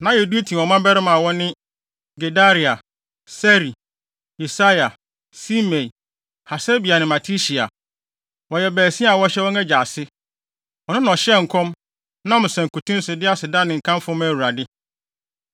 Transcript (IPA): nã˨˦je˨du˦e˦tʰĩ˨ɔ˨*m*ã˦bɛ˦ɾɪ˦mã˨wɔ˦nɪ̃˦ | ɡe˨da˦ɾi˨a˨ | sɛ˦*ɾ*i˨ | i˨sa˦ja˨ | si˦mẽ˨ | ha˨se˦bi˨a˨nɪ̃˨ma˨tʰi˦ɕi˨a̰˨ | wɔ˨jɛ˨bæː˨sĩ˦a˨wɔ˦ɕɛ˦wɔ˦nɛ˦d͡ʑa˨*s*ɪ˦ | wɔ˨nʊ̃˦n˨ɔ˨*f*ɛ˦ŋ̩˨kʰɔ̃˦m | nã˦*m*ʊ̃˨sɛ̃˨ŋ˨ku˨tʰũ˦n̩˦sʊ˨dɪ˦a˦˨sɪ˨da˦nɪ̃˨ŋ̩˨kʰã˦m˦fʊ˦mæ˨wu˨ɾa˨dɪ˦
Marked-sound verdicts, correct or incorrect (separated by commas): correct, correct, correct, incorrect, correct